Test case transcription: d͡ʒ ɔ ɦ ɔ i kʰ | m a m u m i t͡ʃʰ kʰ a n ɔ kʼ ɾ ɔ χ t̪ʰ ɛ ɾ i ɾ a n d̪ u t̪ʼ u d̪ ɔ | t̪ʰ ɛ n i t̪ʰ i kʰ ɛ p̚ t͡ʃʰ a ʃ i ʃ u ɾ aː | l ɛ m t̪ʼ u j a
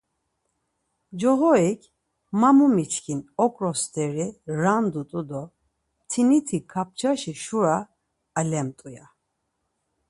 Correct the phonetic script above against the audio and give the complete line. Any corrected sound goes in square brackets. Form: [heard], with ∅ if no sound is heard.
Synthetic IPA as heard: d͡ʒ ɔ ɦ ɔ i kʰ | m a m u m i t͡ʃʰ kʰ [i] n ɔ kʼ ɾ ɔ [s] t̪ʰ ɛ ɾ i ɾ a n d̪ u t̪ʼ u d̪ ɔ | t̪ʰ [i] n i t̪ʰ i kʰ [a] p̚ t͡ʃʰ a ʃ i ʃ u ɾ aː | l ɛ m t̪ʼ u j a